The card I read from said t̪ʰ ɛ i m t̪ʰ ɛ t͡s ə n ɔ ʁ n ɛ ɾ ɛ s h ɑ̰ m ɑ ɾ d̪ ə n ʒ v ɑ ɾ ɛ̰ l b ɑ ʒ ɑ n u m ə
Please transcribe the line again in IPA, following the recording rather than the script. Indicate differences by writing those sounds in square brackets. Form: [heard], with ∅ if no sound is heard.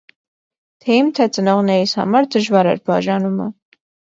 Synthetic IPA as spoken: t̪ʰ ɛ i m t̪ʰ ɛ t͡s ə n ɔ ʁ n ɛ ɾ [i] s h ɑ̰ m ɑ ɾ d̪ ə [∅] ʒ v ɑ ɾ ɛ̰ [ɾ] b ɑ ʒ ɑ n u m ə